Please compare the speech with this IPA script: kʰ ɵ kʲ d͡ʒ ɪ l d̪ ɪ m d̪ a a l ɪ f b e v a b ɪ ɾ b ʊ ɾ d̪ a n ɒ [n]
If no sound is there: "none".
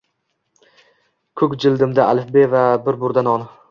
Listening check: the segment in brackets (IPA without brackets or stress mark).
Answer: n